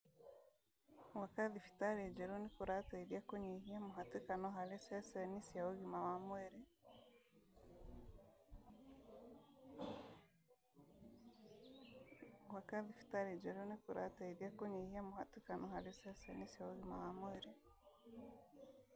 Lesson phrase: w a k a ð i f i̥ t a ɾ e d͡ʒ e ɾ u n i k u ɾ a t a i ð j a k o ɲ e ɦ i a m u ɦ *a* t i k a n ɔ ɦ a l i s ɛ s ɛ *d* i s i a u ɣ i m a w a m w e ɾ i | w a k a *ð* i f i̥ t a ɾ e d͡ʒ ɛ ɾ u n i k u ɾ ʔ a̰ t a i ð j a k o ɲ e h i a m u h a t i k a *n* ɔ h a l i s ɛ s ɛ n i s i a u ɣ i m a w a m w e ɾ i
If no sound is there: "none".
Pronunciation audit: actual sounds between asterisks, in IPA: a, n, ð, n

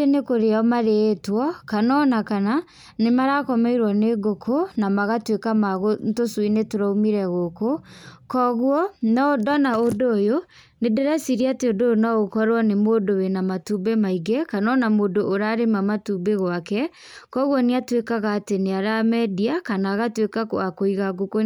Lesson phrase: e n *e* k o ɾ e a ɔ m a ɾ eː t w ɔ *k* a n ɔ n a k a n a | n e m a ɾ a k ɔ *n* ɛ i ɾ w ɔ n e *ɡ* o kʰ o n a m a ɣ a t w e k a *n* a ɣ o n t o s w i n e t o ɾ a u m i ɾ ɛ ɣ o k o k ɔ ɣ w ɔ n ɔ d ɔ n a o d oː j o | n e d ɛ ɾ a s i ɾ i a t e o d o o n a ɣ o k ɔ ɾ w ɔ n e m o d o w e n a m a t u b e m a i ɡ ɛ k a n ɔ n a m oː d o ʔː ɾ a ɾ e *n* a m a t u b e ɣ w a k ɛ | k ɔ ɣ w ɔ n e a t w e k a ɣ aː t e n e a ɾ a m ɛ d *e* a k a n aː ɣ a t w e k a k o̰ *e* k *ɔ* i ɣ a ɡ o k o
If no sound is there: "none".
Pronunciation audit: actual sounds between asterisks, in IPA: e, k, m, ɡ, m, m, i, a, o

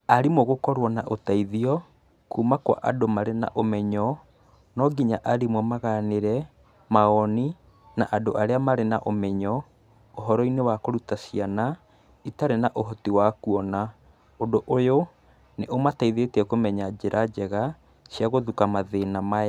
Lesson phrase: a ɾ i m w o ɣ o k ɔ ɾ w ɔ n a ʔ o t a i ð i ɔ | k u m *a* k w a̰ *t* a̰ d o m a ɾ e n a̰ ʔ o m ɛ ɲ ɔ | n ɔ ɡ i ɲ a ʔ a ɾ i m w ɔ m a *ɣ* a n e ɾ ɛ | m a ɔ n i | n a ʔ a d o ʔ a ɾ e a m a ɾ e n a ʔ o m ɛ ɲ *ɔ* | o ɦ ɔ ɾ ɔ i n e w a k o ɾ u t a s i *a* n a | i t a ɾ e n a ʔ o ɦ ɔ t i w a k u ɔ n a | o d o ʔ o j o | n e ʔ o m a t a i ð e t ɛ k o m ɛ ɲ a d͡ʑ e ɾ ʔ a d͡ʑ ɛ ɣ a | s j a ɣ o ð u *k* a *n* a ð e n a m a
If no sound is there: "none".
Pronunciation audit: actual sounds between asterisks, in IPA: a, ʔ, ɣ, ɔ, a, k, m

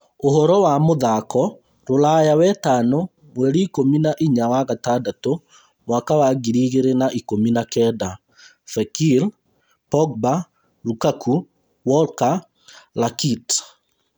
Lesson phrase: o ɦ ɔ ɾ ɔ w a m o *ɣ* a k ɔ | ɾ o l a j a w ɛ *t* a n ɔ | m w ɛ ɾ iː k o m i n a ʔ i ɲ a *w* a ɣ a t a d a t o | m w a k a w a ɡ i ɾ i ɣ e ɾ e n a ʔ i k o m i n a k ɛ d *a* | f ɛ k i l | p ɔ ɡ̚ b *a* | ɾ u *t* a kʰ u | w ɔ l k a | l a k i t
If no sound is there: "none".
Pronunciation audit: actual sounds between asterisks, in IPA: ð, t, w, a, a, k

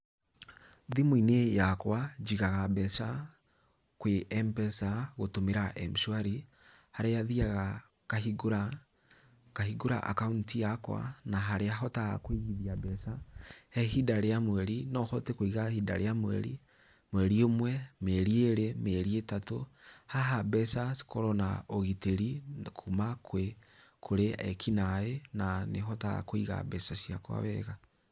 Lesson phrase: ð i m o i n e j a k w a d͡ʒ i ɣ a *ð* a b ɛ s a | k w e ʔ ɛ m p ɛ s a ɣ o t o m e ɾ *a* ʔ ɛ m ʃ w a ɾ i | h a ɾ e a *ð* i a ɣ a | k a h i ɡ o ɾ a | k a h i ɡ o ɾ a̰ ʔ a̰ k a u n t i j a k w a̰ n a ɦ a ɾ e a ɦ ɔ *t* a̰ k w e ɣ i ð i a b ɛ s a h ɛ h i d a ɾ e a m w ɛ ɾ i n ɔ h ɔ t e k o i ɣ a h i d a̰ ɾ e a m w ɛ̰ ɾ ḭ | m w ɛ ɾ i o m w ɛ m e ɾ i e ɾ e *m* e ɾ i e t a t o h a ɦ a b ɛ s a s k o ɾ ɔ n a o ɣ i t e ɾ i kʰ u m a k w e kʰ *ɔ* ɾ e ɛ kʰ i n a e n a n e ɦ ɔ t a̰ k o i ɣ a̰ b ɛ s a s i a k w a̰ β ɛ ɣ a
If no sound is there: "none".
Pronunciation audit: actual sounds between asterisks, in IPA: ɣ, a, ð, t, m, o

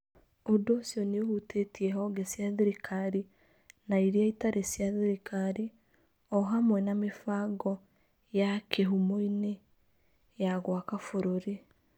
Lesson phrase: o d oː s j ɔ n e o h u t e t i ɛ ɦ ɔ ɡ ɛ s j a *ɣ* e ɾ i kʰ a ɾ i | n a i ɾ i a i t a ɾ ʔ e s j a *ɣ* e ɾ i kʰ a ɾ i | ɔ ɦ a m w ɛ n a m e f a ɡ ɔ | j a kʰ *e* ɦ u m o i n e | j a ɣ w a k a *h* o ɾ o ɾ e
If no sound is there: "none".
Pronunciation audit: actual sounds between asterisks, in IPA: ð, ð, e, f

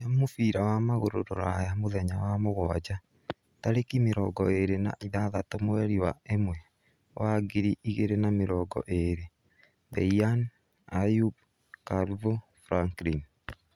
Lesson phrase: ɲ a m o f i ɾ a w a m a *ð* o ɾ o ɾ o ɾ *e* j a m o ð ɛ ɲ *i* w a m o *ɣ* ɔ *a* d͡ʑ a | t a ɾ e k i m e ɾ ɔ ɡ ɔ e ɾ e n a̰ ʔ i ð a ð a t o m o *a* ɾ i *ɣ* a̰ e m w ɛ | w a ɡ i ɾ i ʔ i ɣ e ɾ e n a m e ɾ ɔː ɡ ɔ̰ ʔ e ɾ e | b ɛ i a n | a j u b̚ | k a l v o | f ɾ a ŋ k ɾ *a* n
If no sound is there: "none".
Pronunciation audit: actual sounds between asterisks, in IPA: ɣ, a, a, ɣ, a, ɛ, w, i

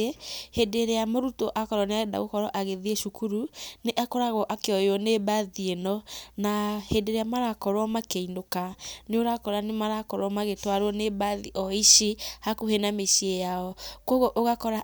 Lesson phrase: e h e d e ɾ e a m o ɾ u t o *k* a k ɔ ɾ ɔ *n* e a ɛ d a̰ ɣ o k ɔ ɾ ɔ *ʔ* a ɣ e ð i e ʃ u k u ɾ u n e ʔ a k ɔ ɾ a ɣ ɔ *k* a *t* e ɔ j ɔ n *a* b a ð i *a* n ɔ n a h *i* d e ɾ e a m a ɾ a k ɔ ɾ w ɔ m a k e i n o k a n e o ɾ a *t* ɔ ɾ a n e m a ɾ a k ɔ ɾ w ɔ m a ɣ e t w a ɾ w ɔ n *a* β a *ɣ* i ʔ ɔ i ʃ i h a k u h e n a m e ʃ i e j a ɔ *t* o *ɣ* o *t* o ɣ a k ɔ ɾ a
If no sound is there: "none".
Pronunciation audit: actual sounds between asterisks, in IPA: ʔ, n, ʔ, ʔ, k, e, e, e, k, e, ð, k, ɣ, ʔ

